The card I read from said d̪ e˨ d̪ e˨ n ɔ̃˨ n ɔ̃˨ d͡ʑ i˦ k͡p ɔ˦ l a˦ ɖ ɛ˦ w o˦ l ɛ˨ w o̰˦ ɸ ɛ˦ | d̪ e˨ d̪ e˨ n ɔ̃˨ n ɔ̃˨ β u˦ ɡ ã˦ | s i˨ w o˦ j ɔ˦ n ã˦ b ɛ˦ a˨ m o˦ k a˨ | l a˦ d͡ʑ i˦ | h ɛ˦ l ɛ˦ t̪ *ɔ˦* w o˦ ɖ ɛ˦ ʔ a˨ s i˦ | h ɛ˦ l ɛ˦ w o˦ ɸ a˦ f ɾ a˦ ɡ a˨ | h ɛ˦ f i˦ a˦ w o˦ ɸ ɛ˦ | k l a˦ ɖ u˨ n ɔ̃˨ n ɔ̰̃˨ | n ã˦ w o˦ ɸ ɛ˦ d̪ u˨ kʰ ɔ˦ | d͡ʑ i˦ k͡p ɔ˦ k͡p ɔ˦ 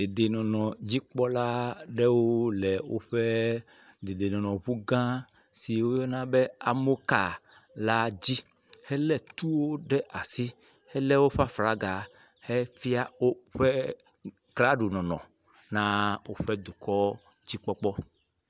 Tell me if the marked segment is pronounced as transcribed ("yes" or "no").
no